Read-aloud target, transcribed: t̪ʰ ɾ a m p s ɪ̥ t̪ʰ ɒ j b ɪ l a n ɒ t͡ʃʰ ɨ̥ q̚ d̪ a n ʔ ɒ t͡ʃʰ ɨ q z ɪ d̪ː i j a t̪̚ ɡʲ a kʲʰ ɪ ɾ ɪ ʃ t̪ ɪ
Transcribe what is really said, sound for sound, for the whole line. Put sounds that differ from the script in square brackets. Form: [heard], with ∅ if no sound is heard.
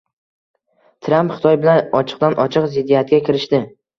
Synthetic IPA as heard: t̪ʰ ɾ a m p [χ] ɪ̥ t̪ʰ ɒ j b ɪ l a n ɒ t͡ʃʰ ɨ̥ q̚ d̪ a n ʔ ɒ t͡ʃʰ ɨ q z ɪ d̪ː i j a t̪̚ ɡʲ a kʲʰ ɪ ɾ ɪ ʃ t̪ ɪ